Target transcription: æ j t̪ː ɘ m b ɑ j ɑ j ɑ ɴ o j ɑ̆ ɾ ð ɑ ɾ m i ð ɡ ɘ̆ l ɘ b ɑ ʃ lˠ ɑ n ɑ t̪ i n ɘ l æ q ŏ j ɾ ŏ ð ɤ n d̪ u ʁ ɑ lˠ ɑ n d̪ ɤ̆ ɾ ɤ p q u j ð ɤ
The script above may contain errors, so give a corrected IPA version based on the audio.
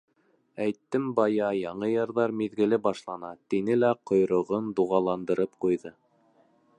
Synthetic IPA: æ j t̪ː ɘ m b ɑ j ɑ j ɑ ɴ ɤ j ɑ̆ ɾ ð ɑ ɾ m i ð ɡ ɘ̆ l ɘ b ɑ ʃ lˠ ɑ n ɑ t̪ i n ɘ l æ q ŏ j ɾ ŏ ʁ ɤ n d̪ u ʁ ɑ lˠ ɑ n d̪ ɤ̆ ɾ ɤ p q u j ð ɤ